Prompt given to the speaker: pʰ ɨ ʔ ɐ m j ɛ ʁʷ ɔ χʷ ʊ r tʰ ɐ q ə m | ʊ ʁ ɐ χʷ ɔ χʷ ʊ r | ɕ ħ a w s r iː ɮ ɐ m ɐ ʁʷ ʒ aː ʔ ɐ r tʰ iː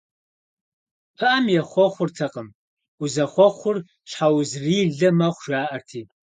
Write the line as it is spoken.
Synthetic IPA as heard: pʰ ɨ ʔ ɐ m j ɛ χʷ ɔ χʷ ʊ r tʰ ɐ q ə m | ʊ z ɐ χʷ ɔ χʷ ʊ r | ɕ ħ a w z r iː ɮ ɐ m ɐ χʷ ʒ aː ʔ ɐ r tʰ iː